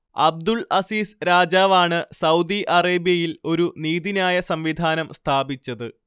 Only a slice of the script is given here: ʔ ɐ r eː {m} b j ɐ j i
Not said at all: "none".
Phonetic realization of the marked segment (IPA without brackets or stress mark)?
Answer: none